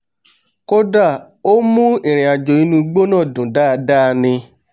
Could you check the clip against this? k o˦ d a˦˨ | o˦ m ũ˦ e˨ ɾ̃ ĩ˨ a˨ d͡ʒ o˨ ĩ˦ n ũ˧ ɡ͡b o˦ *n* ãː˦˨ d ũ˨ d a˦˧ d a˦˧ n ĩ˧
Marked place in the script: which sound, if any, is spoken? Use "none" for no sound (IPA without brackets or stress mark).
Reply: n